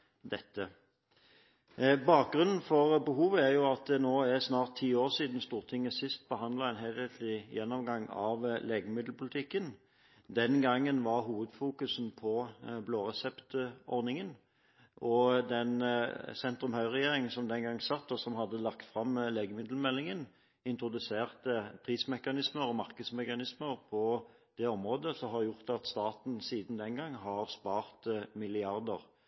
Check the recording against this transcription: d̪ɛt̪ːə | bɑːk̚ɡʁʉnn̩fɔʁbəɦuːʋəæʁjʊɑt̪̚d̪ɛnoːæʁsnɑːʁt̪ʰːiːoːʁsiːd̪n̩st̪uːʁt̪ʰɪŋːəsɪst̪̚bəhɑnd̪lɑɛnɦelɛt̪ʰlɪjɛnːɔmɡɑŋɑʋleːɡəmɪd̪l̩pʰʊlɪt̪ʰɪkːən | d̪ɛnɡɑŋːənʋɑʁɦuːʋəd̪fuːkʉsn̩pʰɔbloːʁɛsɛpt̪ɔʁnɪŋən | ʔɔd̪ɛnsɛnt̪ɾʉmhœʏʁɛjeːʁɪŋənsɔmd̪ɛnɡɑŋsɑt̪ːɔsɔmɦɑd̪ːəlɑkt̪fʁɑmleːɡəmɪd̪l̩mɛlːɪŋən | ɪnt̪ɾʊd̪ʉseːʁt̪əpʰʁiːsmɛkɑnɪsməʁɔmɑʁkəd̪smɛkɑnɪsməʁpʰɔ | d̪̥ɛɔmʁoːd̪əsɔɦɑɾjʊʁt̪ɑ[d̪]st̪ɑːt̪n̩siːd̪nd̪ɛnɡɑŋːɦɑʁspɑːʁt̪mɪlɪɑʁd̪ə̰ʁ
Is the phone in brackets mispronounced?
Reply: yes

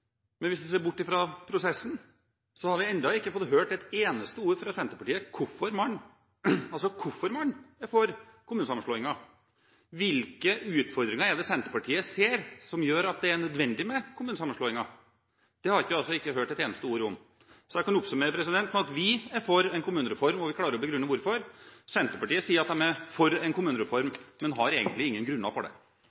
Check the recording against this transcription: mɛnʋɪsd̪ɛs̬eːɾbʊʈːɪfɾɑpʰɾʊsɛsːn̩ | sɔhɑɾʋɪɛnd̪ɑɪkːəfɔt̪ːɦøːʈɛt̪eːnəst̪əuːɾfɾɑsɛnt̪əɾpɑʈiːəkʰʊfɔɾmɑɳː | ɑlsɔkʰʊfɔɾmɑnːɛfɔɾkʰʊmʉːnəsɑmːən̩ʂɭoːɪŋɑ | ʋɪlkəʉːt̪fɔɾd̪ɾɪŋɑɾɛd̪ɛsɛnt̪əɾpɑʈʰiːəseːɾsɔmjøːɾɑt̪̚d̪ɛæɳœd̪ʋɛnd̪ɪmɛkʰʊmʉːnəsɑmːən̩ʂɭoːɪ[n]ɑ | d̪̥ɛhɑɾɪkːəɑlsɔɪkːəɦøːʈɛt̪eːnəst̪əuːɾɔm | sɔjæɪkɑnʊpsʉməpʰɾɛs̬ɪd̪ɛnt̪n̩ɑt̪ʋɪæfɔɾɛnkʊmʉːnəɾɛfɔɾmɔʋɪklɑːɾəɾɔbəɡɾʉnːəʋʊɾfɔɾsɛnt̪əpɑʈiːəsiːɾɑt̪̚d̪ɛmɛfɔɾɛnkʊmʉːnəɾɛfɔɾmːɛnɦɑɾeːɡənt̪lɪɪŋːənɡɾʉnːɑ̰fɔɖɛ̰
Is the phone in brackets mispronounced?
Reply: yes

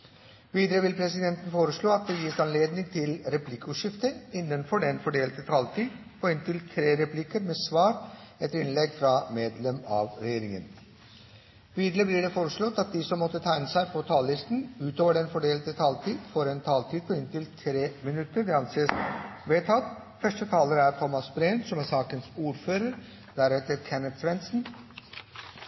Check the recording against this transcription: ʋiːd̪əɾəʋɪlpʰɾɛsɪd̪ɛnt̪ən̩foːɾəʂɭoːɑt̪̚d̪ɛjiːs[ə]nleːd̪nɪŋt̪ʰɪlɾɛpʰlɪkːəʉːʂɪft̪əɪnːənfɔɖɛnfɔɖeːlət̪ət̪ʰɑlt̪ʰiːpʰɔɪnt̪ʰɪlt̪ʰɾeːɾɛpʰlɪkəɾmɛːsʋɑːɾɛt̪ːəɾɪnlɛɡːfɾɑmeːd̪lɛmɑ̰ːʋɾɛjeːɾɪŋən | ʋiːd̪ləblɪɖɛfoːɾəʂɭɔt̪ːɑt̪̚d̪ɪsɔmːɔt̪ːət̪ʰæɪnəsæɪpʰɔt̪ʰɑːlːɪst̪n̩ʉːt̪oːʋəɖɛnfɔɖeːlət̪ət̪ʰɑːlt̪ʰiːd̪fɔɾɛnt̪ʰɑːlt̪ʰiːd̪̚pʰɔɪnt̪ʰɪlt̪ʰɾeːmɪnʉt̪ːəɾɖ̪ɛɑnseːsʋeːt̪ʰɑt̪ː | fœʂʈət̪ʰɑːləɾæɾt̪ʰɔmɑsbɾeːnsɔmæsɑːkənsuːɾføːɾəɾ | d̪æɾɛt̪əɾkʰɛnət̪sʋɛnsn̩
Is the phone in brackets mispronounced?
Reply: yes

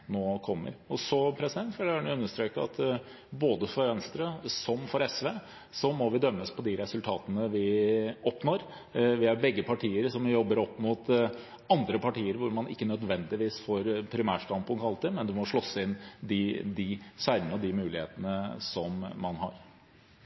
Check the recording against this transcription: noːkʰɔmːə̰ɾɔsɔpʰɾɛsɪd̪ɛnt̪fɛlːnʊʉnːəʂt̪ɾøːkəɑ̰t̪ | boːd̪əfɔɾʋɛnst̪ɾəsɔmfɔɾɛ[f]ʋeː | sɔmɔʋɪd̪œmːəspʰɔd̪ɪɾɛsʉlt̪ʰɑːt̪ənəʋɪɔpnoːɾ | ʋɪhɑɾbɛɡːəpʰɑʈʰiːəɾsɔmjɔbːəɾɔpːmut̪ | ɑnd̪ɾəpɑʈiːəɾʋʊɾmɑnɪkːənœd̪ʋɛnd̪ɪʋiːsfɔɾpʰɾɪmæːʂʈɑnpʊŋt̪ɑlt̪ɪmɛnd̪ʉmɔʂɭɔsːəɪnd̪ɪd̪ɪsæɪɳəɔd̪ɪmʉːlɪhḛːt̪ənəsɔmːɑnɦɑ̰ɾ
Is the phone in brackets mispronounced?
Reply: yes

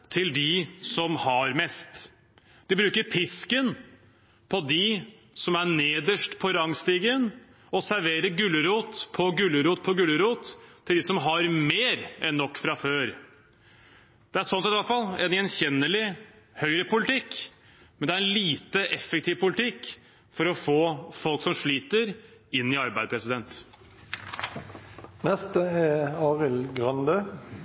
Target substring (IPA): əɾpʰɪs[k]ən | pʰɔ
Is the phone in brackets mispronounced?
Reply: no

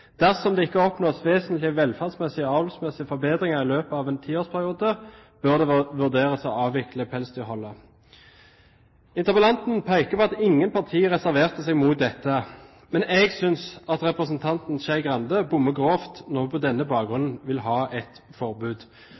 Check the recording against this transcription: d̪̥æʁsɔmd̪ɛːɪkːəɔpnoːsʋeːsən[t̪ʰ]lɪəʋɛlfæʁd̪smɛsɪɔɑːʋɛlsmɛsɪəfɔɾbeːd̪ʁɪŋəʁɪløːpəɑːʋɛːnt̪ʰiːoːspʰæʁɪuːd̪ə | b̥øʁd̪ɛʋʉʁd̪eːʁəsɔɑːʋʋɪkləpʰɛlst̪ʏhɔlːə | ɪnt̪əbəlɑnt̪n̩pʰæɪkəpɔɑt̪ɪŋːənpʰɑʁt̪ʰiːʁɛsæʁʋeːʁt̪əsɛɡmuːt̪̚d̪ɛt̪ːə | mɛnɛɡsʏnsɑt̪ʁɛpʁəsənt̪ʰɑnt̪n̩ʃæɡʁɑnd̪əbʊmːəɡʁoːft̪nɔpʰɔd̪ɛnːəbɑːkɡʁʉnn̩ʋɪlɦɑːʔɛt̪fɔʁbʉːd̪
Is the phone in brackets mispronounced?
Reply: yes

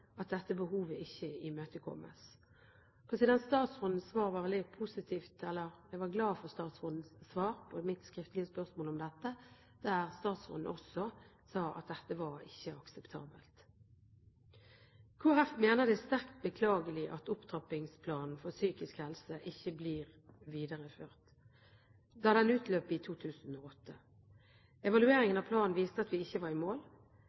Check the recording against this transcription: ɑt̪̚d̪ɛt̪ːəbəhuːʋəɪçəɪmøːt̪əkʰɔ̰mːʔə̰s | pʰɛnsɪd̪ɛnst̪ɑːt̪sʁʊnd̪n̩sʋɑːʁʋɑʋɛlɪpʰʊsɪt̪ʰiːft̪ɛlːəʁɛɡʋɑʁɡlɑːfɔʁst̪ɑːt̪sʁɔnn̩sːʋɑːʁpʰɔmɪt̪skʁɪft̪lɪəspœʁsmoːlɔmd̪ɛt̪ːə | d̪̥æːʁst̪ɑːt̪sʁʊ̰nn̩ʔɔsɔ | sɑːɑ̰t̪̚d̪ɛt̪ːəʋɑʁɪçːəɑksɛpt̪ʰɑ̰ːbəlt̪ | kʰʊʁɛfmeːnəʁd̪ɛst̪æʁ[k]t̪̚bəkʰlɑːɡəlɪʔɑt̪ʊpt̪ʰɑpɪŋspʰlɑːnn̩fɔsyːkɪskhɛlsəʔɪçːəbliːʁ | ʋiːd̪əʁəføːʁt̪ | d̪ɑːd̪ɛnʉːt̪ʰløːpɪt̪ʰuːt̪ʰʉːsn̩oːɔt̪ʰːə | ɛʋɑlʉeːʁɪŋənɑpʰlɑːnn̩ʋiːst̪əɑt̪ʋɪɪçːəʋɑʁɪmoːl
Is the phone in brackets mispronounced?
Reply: no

